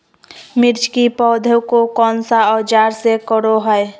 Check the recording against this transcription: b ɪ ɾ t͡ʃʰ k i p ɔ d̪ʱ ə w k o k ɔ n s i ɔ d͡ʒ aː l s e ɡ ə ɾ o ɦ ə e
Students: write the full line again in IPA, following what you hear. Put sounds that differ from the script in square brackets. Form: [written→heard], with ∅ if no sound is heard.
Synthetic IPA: [b→m] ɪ ɾ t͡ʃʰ k i p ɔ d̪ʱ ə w k o k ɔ n s [i→a] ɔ d͡ʒ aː [l→ɾ] s e [ɡ→k] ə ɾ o ɦ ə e